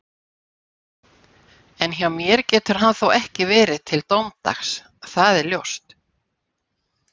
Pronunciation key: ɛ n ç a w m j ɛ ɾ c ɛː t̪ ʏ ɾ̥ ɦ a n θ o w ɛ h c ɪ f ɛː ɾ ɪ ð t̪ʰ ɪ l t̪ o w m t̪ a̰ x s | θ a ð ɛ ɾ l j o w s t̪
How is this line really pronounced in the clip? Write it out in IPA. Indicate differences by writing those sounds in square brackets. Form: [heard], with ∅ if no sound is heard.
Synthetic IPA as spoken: ɛ n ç a w m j ɛ ɾ c ɛː t̪ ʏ ɾ̥ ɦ a n θ o w ɛ h c ɪ [v] ɛː ɾ ɪ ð t̪ʰ ɪ l t̪ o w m t̪ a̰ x s | θ a ð ɛ ɾ l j o w s t̪